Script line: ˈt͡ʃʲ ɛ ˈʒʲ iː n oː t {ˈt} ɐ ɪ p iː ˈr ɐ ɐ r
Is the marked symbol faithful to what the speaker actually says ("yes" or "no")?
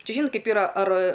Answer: no